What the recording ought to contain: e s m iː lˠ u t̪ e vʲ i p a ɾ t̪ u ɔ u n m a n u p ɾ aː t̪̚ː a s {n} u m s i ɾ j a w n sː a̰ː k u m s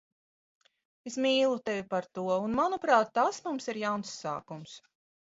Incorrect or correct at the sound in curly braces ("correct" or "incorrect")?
incorrect